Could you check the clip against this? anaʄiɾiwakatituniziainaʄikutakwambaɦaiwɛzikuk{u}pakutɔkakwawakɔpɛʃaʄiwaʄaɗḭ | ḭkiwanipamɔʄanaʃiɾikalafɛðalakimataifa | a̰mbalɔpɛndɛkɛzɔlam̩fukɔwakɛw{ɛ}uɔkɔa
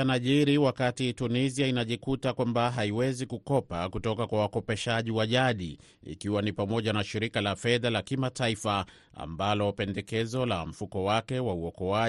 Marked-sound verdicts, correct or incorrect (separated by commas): incorrect, incorrect